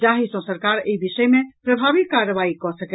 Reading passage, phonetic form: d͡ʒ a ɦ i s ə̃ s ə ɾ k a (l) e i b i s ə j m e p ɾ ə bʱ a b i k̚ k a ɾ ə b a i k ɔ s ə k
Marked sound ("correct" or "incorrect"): incorrect